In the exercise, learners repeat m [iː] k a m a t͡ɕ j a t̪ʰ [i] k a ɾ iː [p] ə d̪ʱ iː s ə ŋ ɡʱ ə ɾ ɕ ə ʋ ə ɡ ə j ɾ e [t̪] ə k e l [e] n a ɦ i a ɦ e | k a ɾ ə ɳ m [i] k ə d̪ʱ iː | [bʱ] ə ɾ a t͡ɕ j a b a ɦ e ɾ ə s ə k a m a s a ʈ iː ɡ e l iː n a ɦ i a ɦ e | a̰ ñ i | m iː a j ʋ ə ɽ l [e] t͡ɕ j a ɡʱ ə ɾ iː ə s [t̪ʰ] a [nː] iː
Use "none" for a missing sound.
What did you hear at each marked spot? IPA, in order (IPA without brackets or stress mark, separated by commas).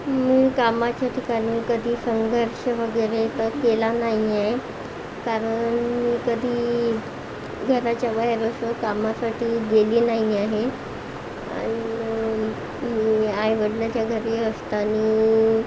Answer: iː, i, k, t̪, a, iː, ɡʱ, a, t̪, n